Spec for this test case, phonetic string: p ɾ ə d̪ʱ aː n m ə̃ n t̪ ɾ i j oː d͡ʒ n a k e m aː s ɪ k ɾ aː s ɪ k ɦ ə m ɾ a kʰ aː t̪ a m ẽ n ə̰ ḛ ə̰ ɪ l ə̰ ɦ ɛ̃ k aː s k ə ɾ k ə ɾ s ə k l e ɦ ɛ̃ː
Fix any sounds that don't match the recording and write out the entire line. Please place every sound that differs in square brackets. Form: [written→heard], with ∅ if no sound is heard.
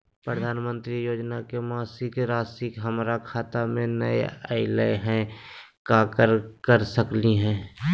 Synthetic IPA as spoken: p ɾ ə d̪ʱ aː n m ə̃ n t̪ ɾ i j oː d͡ʒ n a k e m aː s ɪ k ɾ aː s ɪ k ɦ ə m ɾ a kʰ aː t̪ a m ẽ n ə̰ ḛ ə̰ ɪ l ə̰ ɦ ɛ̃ k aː [s→∅] k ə ɾ k ə ɾ s ə k l [e→i] ɦ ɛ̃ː